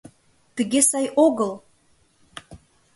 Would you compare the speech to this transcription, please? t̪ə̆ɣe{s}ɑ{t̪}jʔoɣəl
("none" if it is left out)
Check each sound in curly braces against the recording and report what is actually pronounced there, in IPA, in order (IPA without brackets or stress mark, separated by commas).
s, none